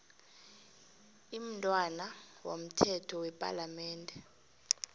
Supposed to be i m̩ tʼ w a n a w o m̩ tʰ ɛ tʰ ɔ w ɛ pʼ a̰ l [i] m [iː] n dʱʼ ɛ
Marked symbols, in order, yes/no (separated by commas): no, no